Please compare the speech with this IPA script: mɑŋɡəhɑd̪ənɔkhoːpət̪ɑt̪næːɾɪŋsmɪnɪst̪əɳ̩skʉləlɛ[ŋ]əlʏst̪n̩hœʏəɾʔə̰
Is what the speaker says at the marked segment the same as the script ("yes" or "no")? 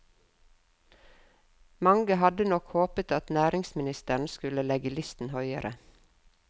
no